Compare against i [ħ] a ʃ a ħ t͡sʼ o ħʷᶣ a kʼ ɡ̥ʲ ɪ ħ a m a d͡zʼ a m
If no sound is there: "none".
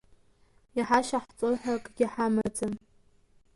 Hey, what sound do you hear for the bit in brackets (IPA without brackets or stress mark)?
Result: ħ